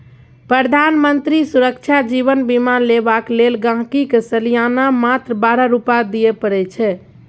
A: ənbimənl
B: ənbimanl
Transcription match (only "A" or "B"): B